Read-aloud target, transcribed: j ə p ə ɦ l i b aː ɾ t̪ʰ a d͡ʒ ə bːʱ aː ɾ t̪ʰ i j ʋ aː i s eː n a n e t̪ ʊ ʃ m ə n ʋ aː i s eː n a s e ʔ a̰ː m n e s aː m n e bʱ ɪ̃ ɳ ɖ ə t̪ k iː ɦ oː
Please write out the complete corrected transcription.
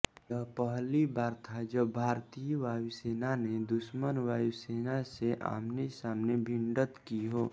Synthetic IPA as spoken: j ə p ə ɦ l i b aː ɾ t̪ʰ a d͡ʒ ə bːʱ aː ɾ t̪ i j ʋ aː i s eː n a n e d̪ ʊ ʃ m ə n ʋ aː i s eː n a s e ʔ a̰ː m n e s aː m n e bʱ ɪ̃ ɳ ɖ ə t̪ k i ɦ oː